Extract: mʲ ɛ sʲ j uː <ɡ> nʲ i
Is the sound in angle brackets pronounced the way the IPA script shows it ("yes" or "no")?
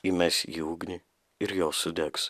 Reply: yes